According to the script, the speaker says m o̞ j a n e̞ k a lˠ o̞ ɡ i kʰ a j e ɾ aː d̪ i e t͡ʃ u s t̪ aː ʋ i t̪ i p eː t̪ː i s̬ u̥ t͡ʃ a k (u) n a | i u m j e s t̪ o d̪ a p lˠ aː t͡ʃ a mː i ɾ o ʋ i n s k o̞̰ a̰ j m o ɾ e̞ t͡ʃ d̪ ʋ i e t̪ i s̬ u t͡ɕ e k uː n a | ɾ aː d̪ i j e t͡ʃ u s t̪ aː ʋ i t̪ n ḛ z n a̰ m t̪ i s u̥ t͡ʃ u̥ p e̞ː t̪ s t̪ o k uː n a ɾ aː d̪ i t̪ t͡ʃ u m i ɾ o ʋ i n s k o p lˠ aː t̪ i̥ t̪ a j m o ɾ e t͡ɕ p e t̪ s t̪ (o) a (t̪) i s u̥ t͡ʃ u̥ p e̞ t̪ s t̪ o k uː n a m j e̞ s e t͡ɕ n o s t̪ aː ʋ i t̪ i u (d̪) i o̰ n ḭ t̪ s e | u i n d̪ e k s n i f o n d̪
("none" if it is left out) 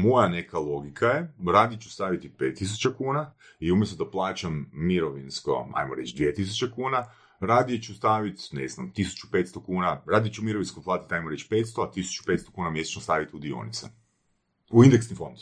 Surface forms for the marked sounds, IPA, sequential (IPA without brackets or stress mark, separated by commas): uː, o, t̪, d̪